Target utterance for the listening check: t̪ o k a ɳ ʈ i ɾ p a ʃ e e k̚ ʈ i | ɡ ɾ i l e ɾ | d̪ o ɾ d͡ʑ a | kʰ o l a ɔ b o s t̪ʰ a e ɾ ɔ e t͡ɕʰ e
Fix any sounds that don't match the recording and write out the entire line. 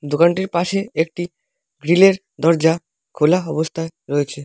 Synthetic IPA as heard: d̪ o k a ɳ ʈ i ɾ p a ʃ e e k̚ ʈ i | ɡ ɾ i l e ɾ | d̪ ɔ ɾ d͡ʑ a | kʰ o l a ɔ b o s t̪ʰ a e ɾ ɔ e t͡ɕʰ e